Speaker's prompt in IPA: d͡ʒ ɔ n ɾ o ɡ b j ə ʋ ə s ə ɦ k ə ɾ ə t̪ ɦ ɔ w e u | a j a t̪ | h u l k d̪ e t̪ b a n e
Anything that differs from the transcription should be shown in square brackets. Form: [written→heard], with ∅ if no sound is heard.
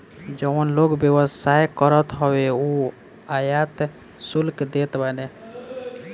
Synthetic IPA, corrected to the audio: d͡ʒ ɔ n [ɾ→l] o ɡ b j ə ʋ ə s [ə→a] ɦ k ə ɾ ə t̪ ɦ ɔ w e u | a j a t̪ | [h→s] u l k d̪ e t̪ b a n e